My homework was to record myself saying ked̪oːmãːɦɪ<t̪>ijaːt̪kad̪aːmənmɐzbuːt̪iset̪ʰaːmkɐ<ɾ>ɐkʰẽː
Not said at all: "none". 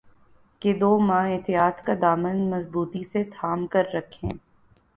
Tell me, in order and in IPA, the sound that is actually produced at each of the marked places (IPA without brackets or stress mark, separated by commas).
t̪, ɾː